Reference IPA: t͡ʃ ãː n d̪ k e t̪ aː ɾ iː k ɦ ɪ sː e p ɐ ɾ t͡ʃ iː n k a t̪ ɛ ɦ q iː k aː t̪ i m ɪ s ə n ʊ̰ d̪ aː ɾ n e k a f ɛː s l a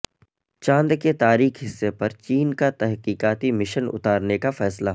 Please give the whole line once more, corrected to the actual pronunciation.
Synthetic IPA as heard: t͡ʃ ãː n d̪ k e t̪ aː ɾ iː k ɦ ɪ sː e p ɐ ɾ t͡ʃ iː n k a t̪ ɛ ɦ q iː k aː t̪ i m ɪ ʃ ə n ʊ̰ t̪ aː ɾ n e k a f ɛː s l a